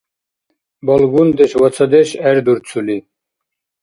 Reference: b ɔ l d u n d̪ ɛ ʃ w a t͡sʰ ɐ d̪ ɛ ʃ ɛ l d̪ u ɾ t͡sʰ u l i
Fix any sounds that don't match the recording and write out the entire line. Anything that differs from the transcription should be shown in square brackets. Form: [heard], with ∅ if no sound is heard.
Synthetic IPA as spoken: b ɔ l [ɡ] u n d̪ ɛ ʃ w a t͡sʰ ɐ d̪ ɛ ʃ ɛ [ɾ] d̪ u ɾ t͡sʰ u l i